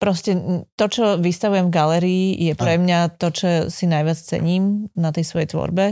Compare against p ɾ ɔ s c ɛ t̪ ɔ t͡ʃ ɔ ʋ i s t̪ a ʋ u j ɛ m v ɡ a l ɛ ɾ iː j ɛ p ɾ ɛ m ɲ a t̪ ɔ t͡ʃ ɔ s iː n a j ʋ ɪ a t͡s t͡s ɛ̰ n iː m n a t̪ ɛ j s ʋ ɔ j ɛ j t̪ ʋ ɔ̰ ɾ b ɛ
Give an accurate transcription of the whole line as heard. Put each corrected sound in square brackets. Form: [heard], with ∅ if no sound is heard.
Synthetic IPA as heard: p ɾ ɔ s c ɛ t̪ ɔ t͡ʃ ɔ ʋ i s t̪ a ʋ u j ɛ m v ɡ a l ɛ ɾ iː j ɛ p ɾ ɛ m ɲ a t̪ ɔ t͡ʃ ɔ s [i] n a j ʋ ɪ a t͡s t͡s ɛ̰ [ɲ] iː m n a t̪ ɛ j s ʋ ɔ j ɛ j t̪ ʋ ɔ̰ ɾ b ɛ